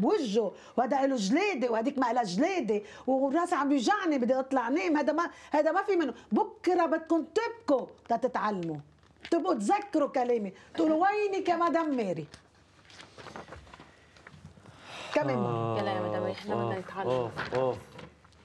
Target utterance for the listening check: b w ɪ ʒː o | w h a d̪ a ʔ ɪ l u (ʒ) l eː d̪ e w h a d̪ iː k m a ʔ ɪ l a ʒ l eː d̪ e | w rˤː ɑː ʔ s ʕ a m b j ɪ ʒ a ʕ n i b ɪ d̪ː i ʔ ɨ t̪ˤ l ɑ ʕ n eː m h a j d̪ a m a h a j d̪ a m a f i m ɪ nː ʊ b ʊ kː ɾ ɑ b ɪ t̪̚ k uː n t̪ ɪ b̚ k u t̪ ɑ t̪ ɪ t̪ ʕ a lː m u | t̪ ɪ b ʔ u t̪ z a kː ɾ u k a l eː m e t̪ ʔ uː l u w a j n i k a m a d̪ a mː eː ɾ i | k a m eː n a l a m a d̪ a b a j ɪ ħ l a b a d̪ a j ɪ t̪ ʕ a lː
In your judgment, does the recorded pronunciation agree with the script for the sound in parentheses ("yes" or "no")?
yes